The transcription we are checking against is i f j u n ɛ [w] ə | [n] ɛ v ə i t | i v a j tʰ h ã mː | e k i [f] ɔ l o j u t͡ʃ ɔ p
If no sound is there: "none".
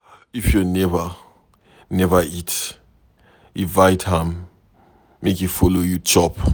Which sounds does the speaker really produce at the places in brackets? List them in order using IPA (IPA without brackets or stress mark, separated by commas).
v, n, f